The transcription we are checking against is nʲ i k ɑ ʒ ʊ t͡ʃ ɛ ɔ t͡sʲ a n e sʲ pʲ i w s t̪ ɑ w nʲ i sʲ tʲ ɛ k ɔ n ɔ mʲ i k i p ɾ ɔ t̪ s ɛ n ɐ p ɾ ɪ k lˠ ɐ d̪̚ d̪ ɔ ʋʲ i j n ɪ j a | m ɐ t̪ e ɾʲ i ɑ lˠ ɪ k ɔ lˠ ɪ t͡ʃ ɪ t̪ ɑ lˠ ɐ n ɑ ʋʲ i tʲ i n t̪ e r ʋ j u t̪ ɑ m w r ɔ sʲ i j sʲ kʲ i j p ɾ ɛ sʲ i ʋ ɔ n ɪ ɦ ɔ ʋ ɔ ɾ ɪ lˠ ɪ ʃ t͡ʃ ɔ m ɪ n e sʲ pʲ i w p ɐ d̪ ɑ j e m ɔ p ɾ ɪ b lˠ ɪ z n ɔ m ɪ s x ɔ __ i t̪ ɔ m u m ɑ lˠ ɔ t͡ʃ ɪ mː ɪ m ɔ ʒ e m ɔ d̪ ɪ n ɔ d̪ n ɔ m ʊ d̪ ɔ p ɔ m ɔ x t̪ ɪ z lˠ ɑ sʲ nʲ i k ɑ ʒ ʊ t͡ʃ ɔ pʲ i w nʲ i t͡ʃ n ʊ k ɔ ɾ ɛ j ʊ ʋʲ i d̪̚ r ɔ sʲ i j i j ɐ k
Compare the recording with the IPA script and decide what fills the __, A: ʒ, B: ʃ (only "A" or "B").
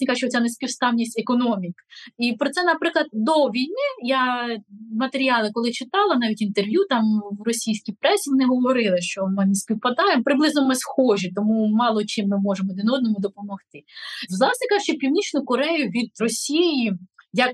A